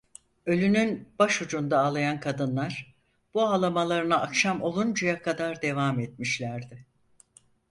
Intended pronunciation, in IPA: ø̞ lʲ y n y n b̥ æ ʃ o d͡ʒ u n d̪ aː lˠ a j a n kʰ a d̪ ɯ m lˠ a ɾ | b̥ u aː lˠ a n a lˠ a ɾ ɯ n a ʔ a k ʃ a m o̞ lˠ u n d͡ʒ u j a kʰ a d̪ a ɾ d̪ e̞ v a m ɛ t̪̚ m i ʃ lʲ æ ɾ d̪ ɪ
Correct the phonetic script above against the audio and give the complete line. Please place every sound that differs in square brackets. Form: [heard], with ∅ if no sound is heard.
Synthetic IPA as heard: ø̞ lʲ y n y n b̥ [a] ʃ [u] d͡ʒ u n d̪ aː lˠ a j a n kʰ a d̪ ɯ [n] lˠ a ɾ | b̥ u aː lˠ a [m] a lˠ a ɾ ɯ n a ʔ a k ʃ a m o̞ lˠ u n d͡ʒ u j a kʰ a d̪ a ɾ d̪ e̞ v a m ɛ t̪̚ m i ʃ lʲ æ ɾ d̪ ɪ

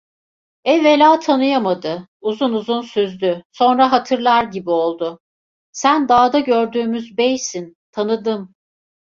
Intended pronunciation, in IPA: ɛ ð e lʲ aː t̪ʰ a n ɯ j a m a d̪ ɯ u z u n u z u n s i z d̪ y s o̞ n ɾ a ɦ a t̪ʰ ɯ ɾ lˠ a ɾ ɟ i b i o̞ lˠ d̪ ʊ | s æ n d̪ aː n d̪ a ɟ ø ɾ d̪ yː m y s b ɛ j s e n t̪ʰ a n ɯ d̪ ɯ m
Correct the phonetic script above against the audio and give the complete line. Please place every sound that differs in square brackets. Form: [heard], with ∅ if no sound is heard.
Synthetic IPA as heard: ɛ [v] e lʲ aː t̪ʰ a n ɯ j a m a d̪ ɯ u z u n u z u n s [y] z d̪ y s o̞ n ɾ a ɦ a t̪ʰ ɯ ɾ lˠ a ɾ ɟ i b i o̞ lˠ d̪ ʊ | s æ n d̪ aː [∅] d̪ a ɟ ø ɾ d̪ yː m y [z] b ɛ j s [i] n t̪ʰ a n ɯ d̪ ɯ m

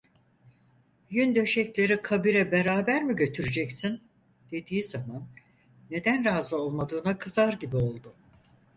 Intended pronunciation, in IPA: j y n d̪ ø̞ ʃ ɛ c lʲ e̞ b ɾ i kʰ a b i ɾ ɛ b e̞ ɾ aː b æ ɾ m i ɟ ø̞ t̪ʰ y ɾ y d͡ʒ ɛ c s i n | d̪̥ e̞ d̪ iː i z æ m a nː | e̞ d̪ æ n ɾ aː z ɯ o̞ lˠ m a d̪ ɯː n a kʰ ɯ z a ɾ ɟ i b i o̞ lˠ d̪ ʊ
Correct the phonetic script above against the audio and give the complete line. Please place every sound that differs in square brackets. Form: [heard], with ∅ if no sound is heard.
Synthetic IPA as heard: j y n d̪ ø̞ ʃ ɛ c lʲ e̞ [∅] ɾ i kʰ a b i ɾ ɛ b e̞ ɾ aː b æ ɾ m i ɟ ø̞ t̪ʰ y ɾ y d͡ʒ ɛ c s i n | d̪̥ e̞ d̪ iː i z [a] m a nː | e̞ d̪ æ n ɾ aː z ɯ o̞ lˠ m a d̪ ɯː n a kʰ ɯ z a ɾ ɟ i b i o̞ lˠ d̪ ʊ

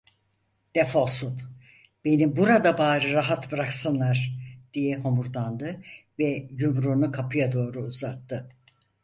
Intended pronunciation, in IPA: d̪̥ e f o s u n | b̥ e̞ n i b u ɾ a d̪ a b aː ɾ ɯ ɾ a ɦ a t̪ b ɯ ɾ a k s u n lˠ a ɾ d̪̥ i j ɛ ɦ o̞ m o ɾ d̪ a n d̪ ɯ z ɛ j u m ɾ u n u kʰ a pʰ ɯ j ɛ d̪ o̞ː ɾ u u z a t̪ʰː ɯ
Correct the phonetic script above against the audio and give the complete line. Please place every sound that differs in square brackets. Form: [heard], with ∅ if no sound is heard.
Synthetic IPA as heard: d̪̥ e f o s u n | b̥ e̞ n i b u ɾ a d̪ a b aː ɾ ɯ ɾ a ɦ a t̪ b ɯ ɾ a k s [ɯ] n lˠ a ɾ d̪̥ i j ɛ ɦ o̞ m [u] ɾ d̪ a n d̪ ɯ [v] ɛ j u m ɾ u n u kʰ a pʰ ɯ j [a] d̪ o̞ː ɾ u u z a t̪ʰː ɯ

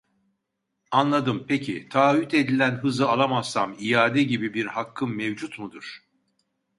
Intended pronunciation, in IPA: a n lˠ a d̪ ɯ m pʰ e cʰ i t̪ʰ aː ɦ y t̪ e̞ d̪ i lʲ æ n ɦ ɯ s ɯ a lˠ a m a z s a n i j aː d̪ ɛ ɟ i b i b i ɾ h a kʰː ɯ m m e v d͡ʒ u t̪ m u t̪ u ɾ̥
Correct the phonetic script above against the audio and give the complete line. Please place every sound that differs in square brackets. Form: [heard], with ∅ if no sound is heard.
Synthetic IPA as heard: a n lˠ a d̪ ɯ m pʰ e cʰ i t̪ʰ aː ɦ y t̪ e̞ d̪ i lʲ æ n ɦ ɯ [z] ɯ a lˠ a m a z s a [m] i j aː d̪ ɛ ɟ i b i b i ɾ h a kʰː ɯ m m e v d͡ʒ u t̪ m u [d̪] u ɾ̥

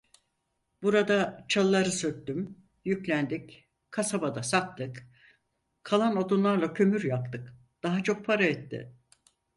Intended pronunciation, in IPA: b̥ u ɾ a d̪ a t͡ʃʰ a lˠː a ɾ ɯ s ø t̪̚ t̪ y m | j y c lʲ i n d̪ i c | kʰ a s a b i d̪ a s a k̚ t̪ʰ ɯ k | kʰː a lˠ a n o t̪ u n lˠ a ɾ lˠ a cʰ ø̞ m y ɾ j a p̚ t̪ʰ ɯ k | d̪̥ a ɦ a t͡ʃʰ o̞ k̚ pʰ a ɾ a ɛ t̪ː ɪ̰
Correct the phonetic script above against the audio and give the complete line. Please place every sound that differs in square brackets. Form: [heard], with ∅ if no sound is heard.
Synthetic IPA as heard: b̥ u ɾ a d̪ a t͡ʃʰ a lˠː a ɾ ɯ s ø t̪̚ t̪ y m | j y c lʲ [æ] n d̪ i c | kʰ a s a b [a] d̪ a s a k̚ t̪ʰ ɯ k | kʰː a lˠ a n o [d̪] u n lˠ a ɾ lˠ a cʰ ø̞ m y ɾ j a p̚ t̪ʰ ɯ k | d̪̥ a ɦ a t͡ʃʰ o̞ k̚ pʰ a ɾ a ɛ t̪ː ɪ̰

